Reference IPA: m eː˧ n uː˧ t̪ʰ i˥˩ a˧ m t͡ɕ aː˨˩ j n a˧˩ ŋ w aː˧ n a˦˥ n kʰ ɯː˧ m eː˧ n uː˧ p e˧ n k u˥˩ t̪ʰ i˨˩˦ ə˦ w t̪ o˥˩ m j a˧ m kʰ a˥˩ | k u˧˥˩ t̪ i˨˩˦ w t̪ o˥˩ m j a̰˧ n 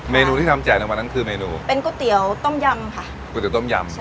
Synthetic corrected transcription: m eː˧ n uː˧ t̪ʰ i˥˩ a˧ m t͡ɕ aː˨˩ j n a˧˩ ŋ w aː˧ n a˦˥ n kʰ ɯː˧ m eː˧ n uː˧ p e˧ n k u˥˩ t̪ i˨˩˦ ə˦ w t̪ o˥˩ m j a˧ m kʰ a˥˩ | k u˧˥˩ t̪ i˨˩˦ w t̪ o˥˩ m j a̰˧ m

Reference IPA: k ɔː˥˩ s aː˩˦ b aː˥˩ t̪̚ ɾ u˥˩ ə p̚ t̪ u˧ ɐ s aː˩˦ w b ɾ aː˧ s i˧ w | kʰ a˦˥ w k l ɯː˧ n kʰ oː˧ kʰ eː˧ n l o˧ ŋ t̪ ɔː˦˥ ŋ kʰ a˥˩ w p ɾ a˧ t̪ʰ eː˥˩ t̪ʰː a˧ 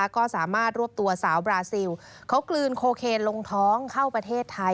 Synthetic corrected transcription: k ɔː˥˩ s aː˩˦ m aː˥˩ t̪̚ ɾ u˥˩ ə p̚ t̪ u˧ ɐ s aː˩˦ w b ɾ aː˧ s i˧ w | kʰ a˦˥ w k l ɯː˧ n kʰ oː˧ kʰ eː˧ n l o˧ ŋ t̪ʰ ɔː˦˥ ŋ kʰ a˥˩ w p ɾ a˧ t̪ʰ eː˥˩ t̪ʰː a˧

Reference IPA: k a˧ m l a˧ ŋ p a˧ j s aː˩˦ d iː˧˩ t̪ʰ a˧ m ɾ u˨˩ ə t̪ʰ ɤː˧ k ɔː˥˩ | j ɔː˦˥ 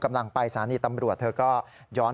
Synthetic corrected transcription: k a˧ m l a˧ ŋ p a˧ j s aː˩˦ n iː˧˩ t̪ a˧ m ɾ u˨˩ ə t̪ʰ ɤː˧ k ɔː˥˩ | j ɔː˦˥

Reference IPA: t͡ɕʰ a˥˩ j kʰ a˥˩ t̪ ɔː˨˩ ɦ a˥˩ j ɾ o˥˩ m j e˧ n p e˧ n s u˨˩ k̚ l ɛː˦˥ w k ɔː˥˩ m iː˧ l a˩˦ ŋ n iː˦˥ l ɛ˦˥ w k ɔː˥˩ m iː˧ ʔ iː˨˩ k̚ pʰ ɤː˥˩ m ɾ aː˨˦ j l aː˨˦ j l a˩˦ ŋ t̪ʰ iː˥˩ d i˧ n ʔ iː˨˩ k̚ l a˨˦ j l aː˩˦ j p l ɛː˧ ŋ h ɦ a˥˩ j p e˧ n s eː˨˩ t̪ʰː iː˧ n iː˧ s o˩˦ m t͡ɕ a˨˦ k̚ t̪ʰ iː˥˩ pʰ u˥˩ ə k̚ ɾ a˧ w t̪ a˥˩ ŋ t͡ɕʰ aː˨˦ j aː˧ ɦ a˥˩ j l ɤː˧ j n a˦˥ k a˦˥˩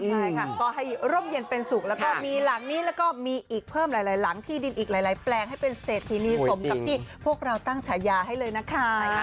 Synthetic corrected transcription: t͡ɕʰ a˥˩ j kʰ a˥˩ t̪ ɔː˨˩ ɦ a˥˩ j ɾ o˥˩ m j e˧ n p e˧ n s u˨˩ k̚ l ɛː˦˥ w k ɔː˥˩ m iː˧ l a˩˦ ŋ n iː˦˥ l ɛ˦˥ w k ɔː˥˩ m iː˧ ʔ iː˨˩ k̚ pʰ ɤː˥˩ m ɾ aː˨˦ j l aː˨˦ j l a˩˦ ŋ t̪ʰ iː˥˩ d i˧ n ʔ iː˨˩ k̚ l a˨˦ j l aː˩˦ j p l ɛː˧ ŋ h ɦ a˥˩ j p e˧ n s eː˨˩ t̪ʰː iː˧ n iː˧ s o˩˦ m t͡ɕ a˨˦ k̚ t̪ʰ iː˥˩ pʰ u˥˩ ə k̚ ɾ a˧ w t̪ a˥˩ ŋ t͡ɕʰ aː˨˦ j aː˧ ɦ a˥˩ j l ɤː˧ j n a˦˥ kʰ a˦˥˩

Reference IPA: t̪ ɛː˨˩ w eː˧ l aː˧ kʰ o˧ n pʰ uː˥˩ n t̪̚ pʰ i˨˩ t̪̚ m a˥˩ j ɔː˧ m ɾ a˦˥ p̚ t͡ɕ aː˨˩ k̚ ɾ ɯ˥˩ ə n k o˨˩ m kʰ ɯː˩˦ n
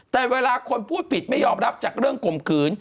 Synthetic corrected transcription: t̪ ɛː˨˩ w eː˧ l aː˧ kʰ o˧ n pʰ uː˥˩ t̪̚ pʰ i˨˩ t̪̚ m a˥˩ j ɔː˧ m ɾ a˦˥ p̚ t͡ɕ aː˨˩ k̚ ɾ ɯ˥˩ ə ŋ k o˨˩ m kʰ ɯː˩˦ n

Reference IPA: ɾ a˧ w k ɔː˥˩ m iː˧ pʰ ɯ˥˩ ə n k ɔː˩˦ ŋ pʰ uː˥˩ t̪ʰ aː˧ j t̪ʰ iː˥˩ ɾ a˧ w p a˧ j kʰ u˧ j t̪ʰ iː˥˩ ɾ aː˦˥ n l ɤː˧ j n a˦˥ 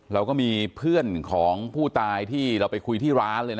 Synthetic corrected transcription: ɾ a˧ w k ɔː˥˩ m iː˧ pʰ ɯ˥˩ ə n kʰ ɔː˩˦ ŋ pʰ uː˥˩ t̪ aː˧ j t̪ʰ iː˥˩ ɾ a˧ w p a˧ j kʰ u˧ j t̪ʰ iː˥˩ ɾ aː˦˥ n l ɤː˧ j n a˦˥

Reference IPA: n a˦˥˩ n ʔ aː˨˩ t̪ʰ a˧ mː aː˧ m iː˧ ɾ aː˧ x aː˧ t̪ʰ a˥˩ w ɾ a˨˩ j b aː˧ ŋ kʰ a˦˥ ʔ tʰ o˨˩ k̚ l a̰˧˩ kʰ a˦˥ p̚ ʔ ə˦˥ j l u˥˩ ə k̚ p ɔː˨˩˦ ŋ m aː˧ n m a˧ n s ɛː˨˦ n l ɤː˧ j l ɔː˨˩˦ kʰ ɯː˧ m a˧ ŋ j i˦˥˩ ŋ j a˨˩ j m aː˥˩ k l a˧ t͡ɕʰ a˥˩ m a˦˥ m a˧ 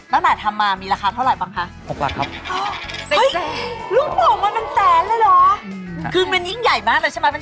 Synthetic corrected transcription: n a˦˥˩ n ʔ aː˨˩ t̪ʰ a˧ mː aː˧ m iː˧ ɾ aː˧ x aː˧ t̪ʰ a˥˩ w ɾ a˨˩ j b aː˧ ŋ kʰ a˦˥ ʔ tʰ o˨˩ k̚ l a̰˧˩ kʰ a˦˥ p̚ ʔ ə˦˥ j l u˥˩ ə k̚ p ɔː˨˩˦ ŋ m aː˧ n m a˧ n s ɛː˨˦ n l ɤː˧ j l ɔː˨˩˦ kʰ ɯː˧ m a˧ n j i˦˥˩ ŋ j a˨˩ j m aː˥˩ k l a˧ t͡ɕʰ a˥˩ m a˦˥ m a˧

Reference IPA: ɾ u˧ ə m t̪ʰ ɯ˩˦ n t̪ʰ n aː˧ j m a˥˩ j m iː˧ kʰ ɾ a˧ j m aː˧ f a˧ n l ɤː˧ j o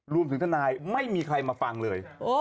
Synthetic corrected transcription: ɾ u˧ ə m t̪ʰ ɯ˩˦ ŋ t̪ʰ n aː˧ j m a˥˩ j m iː˧ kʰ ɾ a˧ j m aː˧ f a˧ ŋ l ɤː˧ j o

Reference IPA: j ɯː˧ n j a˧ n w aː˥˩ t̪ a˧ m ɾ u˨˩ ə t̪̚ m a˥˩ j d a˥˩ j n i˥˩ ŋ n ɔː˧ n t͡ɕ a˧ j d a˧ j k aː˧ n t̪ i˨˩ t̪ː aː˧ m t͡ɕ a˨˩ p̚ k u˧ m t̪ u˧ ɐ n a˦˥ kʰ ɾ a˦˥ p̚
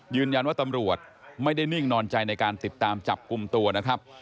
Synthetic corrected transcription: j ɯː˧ n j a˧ n w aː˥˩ t̪ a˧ m ɾ u˨˩ ə t̪̚ m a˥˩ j d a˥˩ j n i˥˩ ŋ n ɔː˧ n t͡ɕ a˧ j n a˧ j k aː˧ n t̪ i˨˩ t̪ː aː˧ m t͡ɕ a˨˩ p̚ k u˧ m t̪ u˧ ɐ n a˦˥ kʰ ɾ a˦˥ p̚

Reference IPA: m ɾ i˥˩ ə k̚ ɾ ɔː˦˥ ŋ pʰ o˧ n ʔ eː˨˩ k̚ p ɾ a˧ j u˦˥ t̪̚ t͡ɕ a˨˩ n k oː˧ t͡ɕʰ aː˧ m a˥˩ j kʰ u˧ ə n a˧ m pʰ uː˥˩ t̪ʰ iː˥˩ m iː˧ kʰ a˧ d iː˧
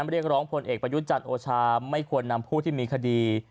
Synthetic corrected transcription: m ɾ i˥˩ ə k̚ ɾ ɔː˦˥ ŋ pʰ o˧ n ʔ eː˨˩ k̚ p ɾ a˧ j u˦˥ t̪̚ t͡ɕ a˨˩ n ʔ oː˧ t͡ɕʰ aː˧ m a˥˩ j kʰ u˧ ə nː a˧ m pʰ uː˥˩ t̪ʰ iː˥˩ m iː˧ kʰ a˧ d iː˧

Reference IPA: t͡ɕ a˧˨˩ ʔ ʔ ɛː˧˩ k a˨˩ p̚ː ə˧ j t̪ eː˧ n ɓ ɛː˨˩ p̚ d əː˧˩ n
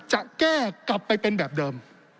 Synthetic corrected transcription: t͡ɕ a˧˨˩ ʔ k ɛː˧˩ k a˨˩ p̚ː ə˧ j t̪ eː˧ n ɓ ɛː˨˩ p̚ ɗ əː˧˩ m

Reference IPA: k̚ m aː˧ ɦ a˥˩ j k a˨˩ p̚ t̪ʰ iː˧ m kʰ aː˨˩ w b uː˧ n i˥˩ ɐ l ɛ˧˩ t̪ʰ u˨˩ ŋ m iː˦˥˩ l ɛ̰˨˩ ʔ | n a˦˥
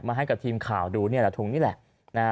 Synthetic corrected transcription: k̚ m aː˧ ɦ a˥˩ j k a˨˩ p̚ t̪ʰ iː˧ m kʰ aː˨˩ w d uː˧ n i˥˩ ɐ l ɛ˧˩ t̪ʰ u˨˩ ŋ n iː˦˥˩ l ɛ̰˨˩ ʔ | n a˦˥

